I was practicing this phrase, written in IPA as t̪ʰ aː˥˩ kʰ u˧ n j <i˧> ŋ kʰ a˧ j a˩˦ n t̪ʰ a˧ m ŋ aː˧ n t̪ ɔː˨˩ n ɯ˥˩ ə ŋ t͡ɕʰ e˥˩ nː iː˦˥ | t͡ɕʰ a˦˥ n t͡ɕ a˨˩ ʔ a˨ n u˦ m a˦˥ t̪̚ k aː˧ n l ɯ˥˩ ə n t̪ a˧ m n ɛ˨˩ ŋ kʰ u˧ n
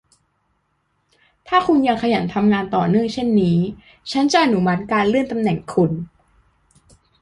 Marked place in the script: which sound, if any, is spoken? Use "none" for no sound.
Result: a˧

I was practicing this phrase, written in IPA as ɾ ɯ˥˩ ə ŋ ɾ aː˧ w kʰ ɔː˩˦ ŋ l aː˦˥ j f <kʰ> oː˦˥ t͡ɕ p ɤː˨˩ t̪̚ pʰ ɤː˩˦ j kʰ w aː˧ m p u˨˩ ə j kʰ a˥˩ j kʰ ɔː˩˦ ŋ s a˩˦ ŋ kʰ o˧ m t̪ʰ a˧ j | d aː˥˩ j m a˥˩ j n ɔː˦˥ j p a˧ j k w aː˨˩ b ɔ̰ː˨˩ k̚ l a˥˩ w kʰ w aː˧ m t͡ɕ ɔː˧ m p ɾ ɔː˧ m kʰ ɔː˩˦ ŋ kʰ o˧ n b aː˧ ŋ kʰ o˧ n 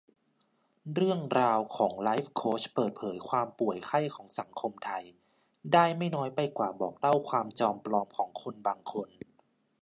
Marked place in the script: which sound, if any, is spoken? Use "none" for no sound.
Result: kʰ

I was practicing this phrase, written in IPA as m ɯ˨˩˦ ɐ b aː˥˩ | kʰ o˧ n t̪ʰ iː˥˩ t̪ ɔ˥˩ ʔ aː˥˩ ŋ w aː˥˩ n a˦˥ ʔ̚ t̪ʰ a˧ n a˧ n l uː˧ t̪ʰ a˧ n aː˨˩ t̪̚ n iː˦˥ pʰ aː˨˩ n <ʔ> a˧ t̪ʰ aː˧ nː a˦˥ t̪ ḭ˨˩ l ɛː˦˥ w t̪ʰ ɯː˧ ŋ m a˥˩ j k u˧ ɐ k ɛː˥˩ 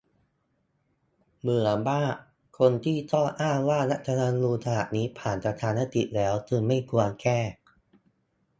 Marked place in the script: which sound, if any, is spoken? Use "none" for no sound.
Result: p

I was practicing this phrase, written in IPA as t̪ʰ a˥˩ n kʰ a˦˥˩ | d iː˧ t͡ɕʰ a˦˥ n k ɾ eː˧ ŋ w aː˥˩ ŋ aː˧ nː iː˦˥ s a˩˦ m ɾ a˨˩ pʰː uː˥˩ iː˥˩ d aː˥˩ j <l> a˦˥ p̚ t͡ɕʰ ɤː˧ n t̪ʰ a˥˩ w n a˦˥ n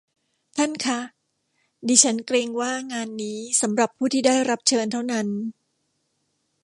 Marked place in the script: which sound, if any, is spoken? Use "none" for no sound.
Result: ɾ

